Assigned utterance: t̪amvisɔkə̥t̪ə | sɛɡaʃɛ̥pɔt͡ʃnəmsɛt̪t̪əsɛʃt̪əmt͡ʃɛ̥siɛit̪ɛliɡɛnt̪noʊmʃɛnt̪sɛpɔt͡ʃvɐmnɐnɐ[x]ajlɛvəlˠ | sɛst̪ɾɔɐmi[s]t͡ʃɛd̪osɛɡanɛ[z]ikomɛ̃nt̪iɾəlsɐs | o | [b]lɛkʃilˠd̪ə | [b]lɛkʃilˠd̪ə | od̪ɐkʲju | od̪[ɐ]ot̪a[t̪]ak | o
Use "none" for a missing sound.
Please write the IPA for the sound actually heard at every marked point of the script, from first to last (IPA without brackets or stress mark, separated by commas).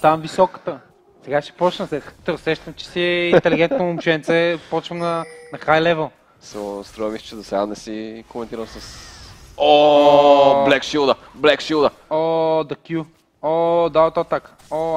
x, s, s, b, b, a, t̪